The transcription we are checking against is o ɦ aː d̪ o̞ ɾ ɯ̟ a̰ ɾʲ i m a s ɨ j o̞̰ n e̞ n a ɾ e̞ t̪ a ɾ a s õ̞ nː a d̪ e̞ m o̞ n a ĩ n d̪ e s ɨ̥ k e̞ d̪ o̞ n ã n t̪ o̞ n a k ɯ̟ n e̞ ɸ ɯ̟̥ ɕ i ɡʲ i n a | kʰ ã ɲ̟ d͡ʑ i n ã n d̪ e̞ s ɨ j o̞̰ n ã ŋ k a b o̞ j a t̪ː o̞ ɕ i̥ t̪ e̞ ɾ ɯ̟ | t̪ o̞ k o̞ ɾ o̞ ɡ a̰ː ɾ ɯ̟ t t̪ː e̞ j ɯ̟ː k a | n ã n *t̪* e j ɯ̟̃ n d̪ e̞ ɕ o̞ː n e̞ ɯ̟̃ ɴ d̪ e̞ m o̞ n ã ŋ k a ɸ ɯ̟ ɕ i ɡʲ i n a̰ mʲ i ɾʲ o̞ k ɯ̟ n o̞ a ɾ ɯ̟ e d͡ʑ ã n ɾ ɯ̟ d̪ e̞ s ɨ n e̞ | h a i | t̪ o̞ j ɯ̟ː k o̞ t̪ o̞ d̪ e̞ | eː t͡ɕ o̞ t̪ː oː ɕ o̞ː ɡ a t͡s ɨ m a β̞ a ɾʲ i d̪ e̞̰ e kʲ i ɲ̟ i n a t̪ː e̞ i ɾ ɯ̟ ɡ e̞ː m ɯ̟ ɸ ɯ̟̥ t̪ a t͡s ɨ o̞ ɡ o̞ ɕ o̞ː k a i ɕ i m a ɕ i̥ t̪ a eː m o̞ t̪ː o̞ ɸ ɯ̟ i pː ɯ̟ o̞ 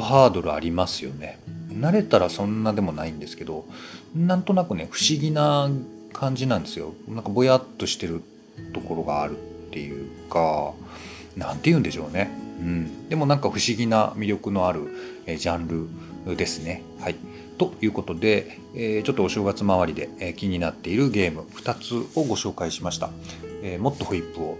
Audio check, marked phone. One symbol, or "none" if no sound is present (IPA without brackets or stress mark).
t̪